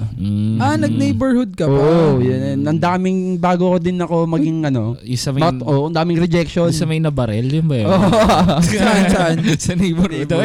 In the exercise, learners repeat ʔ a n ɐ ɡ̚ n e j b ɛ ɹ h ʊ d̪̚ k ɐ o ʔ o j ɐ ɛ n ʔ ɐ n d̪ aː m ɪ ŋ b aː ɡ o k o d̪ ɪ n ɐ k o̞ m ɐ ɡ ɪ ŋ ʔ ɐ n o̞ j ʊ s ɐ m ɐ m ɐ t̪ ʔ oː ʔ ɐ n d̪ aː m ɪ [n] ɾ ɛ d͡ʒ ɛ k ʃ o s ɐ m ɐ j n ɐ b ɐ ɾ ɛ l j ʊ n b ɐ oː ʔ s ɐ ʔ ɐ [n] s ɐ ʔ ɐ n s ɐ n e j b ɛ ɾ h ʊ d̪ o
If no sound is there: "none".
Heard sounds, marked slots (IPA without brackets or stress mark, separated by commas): ŋ, n